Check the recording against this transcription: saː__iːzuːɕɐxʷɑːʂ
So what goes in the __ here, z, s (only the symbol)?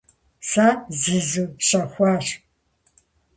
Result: z